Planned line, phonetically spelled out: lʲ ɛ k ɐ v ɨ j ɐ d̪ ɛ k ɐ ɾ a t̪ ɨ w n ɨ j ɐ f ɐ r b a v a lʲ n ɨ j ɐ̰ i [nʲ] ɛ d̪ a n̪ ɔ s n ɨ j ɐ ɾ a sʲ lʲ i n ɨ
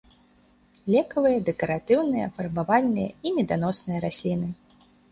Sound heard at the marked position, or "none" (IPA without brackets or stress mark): mʲ